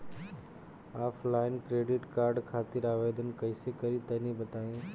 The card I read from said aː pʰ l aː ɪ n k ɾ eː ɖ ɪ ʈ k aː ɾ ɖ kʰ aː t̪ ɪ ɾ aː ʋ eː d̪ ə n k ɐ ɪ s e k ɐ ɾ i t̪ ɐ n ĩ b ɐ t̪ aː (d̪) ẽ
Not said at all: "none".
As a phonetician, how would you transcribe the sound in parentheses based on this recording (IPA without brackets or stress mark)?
none